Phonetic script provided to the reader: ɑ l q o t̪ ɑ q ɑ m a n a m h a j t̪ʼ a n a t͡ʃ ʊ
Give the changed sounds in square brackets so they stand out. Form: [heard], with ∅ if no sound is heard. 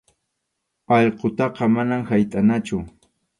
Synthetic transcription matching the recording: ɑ [ʎ] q o t̪ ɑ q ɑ m a n a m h a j t̪ʼ a n a t͡ʃ ʊ